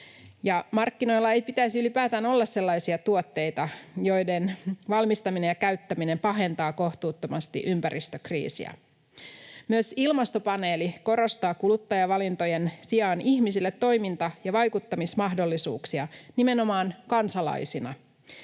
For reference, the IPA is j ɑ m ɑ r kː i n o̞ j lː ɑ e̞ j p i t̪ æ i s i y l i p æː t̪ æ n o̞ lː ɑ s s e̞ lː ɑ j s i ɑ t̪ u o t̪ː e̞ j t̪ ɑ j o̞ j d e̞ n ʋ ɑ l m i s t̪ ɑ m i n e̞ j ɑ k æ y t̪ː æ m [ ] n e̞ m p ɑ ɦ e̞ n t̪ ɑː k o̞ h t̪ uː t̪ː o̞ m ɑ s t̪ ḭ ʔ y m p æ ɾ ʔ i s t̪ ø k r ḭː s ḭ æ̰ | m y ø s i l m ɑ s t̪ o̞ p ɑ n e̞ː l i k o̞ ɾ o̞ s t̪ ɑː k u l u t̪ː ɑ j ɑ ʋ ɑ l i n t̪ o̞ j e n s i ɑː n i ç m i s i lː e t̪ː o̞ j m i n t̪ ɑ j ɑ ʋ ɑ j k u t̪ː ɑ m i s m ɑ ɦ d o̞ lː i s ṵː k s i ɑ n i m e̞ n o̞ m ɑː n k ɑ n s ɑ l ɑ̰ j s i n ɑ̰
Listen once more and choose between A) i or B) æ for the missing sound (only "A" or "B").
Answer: A